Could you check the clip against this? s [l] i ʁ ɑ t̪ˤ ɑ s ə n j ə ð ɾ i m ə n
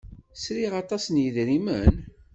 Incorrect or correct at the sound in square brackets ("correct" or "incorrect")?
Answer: incorrect